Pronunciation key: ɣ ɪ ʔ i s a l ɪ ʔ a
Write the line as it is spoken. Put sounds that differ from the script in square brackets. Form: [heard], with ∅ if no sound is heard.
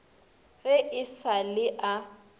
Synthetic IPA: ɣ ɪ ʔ [ɪ] s a l ɪ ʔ a